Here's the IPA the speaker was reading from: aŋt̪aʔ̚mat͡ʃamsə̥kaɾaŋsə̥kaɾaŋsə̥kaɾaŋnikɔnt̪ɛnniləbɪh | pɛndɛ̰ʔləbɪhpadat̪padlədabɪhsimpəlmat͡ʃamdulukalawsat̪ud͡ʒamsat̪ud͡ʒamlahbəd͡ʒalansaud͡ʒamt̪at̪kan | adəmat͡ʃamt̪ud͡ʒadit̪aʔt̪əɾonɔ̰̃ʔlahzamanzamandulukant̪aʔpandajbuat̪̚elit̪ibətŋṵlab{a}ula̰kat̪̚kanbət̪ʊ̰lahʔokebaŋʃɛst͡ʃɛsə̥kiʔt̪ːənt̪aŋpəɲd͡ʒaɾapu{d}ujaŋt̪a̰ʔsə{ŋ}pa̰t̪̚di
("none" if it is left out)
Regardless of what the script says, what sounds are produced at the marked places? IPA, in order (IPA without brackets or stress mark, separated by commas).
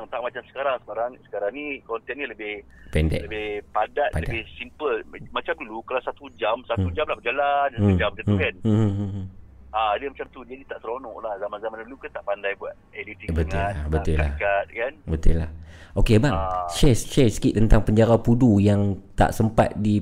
ə, d, m